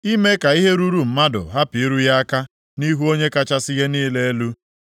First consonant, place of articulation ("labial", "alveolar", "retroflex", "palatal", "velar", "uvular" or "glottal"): labial